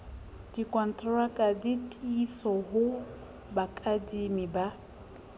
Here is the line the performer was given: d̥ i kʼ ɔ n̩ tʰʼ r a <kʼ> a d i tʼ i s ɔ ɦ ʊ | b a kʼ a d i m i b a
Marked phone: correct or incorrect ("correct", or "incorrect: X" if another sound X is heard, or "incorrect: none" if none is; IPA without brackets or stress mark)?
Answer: correct